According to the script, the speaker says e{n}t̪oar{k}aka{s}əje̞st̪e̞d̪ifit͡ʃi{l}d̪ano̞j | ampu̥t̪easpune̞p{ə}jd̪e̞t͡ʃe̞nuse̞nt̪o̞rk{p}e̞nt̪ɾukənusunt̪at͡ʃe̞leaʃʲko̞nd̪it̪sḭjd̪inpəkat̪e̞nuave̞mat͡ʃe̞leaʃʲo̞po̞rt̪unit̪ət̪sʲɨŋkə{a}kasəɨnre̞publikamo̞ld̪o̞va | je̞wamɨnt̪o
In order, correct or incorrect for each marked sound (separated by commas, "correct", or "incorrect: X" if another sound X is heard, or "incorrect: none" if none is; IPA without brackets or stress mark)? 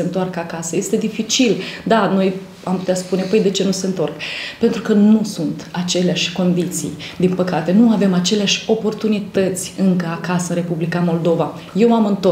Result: correct, correct, correct, correct, correct, correct, correct